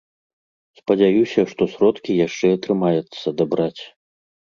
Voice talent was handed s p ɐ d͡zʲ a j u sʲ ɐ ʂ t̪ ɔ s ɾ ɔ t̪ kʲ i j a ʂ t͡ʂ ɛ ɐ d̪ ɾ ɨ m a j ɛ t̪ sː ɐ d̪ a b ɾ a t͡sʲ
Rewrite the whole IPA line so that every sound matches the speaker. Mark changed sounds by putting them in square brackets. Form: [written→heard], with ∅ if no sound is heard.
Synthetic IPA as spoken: s p ɐ d͡zʲ a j u sʲ ɐ ʂ t̪ ɔ s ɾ ɔ t̪ kʲ i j a ʂ t͡ʂ ɛ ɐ [d̪→t̪] ɾ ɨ m a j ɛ t̪ sː ɐ d̪ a b ɾ a t͡sʲ